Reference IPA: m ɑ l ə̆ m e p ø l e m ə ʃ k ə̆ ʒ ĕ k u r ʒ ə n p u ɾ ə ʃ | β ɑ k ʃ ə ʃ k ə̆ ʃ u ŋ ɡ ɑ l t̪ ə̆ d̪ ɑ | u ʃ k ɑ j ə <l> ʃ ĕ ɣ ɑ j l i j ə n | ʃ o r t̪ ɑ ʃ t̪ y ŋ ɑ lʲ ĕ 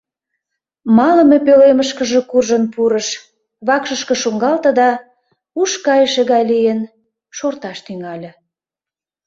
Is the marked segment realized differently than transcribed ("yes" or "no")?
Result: yes